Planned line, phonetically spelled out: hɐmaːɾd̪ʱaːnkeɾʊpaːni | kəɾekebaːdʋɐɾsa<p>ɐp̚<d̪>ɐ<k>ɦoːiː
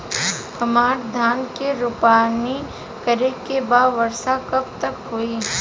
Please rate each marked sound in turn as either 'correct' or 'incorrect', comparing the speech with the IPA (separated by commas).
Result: incorrect, incorrect, correct